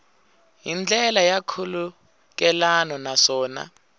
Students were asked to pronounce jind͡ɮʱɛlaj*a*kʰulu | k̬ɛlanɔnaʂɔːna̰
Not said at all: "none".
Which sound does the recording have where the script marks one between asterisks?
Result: a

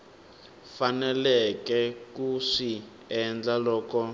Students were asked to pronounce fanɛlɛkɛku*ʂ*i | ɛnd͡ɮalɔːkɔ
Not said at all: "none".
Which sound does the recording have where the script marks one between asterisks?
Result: ʂ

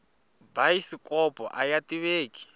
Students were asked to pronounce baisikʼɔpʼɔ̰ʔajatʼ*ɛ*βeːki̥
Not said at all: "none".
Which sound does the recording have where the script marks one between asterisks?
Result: i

